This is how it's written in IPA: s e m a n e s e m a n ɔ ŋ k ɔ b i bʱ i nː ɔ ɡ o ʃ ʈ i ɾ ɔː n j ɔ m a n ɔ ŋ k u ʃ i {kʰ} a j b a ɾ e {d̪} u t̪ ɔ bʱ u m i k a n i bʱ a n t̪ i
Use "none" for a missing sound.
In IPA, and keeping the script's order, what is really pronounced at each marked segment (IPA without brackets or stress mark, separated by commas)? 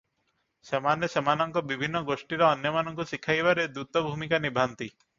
kʰ, d̪